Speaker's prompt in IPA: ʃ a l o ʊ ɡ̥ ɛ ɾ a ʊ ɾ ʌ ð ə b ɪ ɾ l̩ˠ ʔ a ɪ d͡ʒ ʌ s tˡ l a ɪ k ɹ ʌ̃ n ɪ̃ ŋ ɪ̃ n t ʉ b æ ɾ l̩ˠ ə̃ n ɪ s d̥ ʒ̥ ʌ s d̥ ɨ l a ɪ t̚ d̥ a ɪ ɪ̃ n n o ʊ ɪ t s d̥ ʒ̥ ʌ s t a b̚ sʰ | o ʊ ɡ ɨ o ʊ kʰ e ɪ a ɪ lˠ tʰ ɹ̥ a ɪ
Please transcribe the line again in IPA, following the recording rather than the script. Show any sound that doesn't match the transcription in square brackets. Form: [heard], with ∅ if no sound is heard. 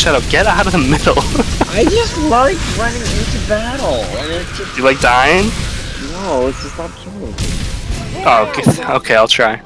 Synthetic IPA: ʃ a [ɾ] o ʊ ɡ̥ ɛ ɾ a ʊ ɾ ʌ ð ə [m] ɪ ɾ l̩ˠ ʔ a ɪ d͡ʒ ʌ s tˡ l a ɪ k ɹ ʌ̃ n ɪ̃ ŋ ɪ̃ n t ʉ b æ ɾ l̩ˠ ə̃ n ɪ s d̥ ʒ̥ ʌ s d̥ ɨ l a ɪ [k̚] d̥ a ɪ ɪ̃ n n o ʊ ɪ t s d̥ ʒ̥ ʌ s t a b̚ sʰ | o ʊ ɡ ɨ o ʊ kʰ e ɪ a ɪ lˠ tʰ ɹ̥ a ɪ